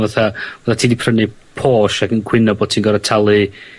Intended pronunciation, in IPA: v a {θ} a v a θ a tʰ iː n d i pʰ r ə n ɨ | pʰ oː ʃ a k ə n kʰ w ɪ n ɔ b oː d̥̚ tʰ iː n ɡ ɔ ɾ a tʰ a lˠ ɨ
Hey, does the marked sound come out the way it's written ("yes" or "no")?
yes